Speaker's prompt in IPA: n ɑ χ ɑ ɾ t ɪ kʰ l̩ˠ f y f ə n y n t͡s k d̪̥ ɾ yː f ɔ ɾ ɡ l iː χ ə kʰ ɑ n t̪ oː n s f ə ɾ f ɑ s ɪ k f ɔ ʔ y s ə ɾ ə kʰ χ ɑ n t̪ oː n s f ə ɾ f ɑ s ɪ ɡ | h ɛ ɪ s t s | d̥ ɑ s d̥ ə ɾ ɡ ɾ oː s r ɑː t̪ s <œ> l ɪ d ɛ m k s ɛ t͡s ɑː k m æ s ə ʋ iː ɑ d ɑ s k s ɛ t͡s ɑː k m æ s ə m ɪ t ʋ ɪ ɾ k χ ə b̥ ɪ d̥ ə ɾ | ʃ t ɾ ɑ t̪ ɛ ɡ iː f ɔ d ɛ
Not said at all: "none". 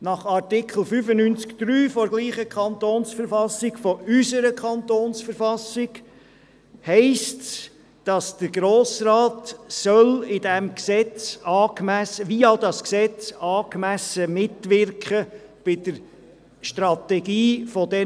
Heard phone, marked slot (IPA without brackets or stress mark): œ